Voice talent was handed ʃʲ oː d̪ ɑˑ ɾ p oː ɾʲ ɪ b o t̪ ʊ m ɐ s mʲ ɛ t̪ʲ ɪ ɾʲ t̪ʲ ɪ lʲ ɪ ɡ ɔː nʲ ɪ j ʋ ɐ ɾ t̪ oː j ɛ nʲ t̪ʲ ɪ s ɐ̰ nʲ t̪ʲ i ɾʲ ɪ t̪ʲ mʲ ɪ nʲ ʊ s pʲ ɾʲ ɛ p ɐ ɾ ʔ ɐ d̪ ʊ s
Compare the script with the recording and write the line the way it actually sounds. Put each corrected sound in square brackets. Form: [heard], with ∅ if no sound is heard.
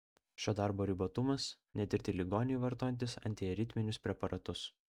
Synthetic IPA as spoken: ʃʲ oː d̪ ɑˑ ɾ [b] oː ɾʲ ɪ b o t̪ ʊ m ɐ s [nʲ] ɛ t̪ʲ ɪ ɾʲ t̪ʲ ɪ lʲ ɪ ɡ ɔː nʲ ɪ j ʋ ɐ ɾ t̪ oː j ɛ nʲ t̪ʲ ɪ s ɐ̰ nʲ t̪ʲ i ɾʲ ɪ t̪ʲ mʲ ɪ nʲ ʊ s pʲ ɾʲ ɛ p ɐ ɾ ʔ ɐ [t̪] ʊ s

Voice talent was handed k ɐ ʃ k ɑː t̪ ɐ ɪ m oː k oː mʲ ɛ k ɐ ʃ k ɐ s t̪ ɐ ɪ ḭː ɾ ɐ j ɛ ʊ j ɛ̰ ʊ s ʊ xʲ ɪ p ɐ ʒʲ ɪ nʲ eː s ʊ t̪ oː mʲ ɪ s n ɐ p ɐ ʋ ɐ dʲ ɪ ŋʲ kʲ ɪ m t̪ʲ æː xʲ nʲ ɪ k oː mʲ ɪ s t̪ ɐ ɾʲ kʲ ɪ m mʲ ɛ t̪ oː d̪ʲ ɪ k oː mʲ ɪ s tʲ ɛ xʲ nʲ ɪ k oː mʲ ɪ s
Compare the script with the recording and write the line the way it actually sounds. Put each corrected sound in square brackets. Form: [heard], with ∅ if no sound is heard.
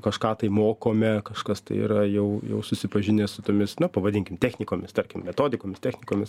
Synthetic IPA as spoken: k ɐ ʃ k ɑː t̪ ɐ ɪ m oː k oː mʲ ɛ k ɐ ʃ k ɐ s t̪ ɐ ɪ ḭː ɾ ɐ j ɛ ʊ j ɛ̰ ʊ s ʊ [sʲ] ɪ p ɐ ʒʲ ɪ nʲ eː s ʊ t̪ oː mʲ ɪ s n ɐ p ɐ ʋ ɐ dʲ ɪ ŋʲ kʲ ɪ m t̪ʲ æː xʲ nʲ ɪ k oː mʲ ɪ s t̪ ɐ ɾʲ kʲ ɪ m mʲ ɛ t̪ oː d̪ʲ ɪ k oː mʲ ɪ s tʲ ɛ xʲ nʲ ɪ k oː mʲ ɪ s

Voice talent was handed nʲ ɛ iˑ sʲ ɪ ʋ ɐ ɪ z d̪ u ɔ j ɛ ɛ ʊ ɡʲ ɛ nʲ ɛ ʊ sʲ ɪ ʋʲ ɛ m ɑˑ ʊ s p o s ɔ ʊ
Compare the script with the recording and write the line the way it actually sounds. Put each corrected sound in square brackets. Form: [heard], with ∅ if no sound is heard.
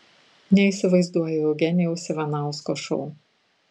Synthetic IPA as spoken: nʲ ɛ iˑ sʲ ɪ ʋ ɐ ɪ z d̪ u ɔ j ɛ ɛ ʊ ɡʲ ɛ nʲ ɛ ʊ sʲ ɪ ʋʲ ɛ [n] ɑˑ ʊ s [k] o [ʃ] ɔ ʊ

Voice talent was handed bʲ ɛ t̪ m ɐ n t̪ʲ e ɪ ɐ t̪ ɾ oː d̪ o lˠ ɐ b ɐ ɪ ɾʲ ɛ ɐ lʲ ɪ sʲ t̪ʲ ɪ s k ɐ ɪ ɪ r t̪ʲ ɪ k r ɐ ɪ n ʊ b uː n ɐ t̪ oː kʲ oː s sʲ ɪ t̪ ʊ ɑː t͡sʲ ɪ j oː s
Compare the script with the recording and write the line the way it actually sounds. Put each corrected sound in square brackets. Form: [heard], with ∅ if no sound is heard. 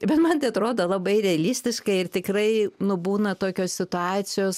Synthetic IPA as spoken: bʲ ɛ t̪ m ɐ n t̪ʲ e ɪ ɐ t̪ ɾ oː d̪ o lˠ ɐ b ɐ ɪ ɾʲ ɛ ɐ lʲ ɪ sʲ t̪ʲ ɪ [ʃ] k ɐ ɪ ɪ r t̪ʲ ɪ k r ɐ ɪ n ʊ b uː n ɐ t̪ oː kʲ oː s sʲ ɪ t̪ ʊ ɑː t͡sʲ ɪ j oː s

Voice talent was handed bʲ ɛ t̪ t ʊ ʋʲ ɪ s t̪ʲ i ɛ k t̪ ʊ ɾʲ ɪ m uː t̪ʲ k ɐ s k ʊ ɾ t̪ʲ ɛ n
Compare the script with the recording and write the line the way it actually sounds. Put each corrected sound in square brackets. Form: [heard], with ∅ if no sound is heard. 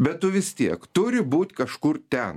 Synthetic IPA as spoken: bʲ ɛ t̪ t ʊ ʋʲ ɪ s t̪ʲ i ɛ k t̪ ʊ ɾʲ ɪ [b] uː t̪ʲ k ɐ [ʃ] k ʊ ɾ t̪ʲ ɛ n

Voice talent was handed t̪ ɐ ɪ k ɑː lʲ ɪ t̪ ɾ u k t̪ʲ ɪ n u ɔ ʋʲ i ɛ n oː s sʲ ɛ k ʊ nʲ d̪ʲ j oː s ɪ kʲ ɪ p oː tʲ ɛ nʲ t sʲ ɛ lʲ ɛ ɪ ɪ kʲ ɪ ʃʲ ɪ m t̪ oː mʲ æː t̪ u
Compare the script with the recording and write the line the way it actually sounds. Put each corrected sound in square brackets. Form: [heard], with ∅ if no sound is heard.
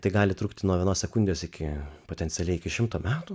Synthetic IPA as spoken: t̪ ɐ ɪ [ɡ] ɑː lʲ ɪ t̪ ɾ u k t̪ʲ ɪ n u ɔ ʋʲ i ɛ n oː s sʲ ɛ k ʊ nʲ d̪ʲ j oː s ɪ kʲ ɪ p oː tʲ ɛ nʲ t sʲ ɛ lʲ ɛ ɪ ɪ kʲ ɪ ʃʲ ɪ m t̪ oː mʲ æː t̪ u

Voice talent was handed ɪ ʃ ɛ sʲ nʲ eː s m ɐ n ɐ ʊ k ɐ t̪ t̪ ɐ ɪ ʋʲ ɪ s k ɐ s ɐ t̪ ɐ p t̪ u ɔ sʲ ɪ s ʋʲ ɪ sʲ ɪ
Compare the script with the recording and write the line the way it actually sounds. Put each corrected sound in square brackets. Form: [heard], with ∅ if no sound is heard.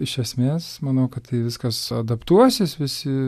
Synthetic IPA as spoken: ɪ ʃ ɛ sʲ [mʲ] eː s m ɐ n ɐ ʊ k ɐ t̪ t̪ ɐ ɪ ʋʲ ɪ s k ɐ s ɐ [d̪] ɐ p t̪ u ɔ sʲ ɪ s ʋʲ ɪ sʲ ɪ

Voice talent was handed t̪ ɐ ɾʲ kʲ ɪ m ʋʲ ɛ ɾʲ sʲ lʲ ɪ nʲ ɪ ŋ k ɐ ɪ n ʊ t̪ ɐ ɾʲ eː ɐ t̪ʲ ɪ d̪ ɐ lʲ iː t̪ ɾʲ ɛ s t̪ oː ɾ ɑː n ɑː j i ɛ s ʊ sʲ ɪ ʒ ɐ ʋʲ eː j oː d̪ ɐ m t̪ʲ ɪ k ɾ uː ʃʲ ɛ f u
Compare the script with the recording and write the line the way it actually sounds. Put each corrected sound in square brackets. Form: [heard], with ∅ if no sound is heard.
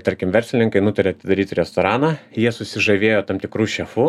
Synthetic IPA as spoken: t̪ ɐ ɾʲ kʲ ɪ m ʋʲ ɛ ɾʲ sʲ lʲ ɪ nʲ ɪ ŋ k ɐ ɪ n ʊ t̪ ɐ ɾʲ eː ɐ t̪ʲ ɪ d̪ ɐ [ɾʲ] iː t̪ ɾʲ ɛ s t̪ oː ɾ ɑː n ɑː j i ɛ s ʊ sʲ ɪ ʒ ɐ ʋʲ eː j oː [t̪] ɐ m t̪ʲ ɪ k ɾ uː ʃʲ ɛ f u

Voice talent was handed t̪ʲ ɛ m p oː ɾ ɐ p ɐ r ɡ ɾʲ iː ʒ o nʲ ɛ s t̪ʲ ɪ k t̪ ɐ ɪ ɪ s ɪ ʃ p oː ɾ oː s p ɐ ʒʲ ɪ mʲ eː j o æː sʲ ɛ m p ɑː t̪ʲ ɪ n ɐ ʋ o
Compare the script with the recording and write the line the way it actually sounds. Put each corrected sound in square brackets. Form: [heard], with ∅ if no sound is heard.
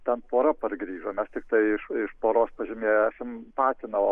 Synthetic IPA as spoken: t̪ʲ ɛ [n] p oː ɾ ɐ p ɐ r ɡ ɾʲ iː ʒ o [mʲ] ɛ s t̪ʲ ɪ k t̪ ɐ ɪ ɪ [ʃ] ɪ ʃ p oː ɾ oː s p ɐ ʒʲ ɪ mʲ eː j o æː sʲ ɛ m p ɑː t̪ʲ ɪ n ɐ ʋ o

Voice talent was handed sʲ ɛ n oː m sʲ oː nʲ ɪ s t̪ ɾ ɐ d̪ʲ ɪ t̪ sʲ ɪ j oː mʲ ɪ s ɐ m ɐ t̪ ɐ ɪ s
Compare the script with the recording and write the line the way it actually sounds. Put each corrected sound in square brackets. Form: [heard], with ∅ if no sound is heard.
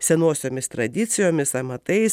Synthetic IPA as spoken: sʲ ɛ n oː [∅] sʲ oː [mʲ] ɪ s t̪ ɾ ɐ d̪ʲ ɪ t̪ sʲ ɪ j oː mʲ ɪ s ɐ m ɐ t̪ ɐ ɪ s

